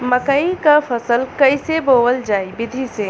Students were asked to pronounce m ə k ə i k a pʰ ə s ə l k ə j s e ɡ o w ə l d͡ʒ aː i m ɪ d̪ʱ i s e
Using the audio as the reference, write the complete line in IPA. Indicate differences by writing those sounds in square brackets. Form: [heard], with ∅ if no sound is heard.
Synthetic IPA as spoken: m ə k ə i k a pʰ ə s ə l k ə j s e [b] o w ə l d͡ʒ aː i [b] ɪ d̪ʱ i s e